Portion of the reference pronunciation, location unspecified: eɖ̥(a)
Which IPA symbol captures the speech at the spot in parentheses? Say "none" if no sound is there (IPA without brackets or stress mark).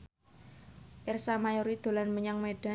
a